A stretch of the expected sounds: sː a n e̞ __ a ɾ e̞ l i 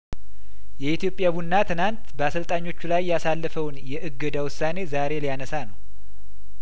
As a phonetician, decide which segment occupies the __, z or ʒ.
z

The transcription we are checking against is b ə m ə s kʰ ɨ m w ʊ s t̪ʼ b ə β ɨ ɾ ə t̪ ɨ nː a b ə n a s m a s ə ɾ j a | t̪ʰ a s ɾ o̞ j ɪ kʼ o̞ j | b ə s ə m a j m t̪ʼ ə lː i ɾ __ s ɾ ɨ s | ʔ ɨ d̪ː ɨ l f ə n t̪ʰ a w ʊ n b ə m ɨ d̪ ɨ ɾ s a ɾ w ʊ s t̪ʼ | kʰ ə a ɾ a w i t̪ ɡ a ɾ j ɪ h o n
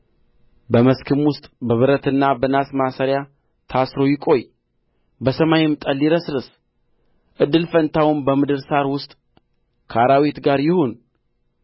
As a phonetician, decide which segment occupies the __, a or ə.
ə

